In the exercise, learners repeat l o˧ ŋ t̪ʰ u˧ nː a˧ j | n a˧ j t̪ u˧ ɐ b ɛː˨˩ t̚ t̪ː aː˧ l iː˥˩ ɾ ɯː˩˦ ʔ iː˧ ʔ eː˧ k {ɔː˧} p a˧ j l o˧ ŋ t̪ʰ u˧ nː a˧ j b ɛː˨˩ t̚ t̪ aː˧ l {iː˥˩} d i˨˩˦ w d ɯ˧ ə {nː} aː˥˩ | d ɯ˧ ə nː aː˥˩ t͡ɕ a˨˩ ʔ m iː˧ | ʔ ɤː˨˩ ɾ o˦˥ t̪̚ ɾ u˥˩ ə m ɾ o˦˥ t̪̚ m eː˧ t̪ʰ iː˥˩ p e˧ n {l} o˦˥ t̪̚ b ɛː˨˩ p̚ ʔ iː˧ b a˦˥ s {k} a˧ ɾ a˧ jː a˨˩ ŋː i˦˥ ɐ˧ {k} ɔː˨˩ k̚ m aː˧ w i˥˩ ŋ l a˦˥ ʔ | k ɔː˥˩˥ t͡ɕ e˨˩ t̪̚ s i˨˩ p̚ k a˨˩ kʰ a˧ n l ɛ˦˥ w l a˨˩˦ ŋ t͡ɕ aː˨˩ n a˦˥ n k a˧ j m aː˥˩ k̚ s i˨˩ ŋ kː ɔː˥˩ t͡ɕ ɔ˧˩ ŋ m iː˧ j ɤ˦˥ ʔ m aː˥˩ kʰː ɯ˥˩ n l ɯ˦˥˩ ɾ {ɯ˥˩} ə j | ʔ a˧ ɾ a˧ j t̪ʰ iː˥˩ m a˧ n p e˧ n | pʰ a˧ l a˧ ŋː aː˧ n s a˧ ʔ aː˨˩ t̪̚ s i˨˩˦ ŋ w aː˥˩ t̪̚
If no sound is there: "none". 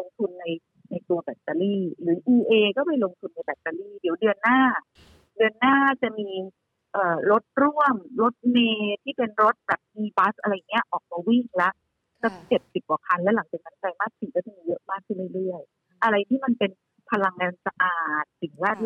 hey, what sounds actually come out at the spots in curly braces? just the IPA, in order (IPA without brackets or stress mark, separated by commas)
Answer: ɔː˥˩, iː˥˩, nː, ɾ, ʔ, ʔ, ɯ˥˩